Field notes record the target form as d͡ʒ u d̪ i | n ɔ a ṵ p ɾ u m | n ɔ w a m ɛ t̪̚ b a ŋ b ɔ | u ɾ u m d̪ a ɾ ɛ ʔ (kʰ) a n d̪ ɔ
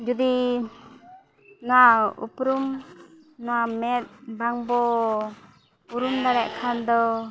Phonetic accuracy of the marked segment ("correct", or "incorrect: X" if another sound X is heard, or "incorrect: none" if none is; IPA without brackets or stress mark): correct